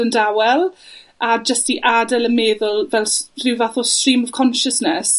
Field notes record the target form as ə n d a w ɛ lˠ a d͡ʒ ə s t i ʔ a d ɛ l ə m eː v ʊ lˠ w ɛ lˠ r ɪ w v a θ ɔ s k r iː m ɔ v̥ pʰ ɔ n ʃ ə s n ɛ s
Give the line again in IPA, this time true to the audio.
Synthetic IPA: ə n d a w ɛ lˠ a d͡ʒ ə s t i ʔ a d ɛ l ə m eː ð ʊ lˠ v ɛ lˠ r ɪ w v a θ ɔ s t r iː m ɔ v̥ kʰ ɔ n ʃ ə s n ɛ s